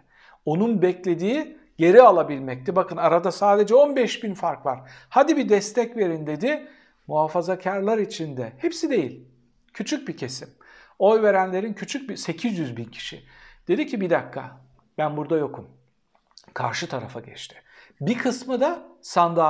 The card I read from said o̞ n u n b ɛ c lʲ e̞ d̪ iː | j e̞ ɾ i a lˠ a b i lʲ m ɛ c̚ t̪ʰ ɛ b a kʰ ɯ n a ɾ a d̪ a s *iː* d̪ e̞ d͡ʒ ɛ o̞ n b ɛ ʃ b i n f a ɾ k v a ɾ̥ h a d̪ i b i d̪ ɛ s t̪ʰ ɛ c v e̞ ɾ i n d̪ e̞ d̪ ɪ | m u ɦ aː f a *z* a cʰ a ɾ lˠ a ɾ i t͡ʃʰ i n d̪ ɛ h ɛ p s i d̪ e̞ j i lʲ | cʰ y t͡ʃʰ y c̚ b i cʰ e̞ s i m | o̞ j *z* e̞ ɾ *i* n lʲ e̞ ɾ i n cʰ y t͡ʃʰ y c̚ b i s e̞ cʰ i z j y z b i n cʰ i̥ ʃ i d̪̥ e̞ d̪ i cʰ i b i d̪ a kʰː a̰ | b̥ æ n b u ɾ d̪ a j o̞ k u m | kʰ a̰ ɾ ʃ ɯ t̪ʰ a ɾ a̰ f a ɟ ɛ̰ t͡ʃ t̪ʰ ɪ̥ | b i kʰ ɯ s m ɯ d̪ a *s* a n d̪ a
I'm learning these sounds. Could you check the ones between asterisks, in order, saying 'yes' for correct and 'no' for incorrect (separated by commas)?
no, yes, no, no, yes